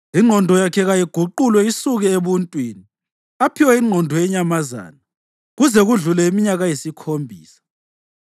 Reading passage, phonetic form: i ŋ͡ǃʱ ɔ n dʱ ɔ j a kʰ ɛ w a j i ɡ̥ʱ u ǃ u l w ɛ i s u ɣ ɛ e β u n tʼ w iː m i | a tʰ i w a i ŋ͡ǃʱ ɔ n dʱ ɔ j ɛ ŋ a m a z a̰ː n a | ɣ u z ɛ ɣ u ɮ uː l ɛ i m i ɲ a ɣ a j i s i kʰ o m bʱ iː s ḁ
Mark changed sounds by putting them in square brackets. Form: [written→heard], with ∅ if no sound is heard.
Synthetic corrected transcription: i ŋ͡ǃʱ ɔ n dʱ ɔ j a kʰ ɛ [w→ɣ] a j i ɡ̥ʱ u ǃ u l w ɛ i s u ɣ ɛ e β u n tʼ w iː [m→n] i | a [tʰ→pʰ] i w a i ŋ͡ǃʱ ɔ n dʱ ɔ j ɛ [ŋ→ɲ] a m a z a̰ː n a | ɣ u z ɛ ɣ u ɮ [uː→u] l ɛ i m i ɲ a ɣ a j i s i kʰ o m bʱ iː s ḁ